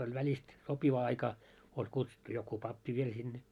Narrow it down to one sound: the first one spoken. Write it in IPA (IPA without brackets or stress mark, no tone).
o